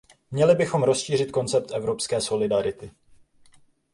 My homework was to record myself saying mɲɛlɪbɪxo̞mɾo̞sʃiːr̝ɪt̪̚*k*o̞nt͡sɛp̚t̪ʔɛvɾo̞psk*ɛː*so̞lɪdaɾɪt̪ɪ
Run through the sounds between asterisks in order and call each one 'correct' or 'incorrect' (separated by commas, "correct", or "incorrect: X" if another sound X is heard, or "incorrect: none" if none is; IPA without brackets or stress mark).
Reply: correct, correct